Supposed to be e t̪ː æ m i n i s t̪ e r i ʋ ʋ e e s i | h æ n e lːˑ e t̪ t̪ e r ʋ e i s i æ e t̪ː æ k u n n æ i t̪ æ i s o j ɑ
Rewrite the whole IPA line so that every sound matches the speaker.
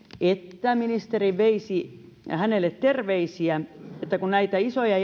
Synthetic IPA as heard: e t̪ː æ m i n i s t̪ e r i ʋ ʋ e i s i | h æ n e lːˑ e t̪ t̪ e r ʋ e i s i æ e t̪ː æ k u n n æ i t̪ æ i s o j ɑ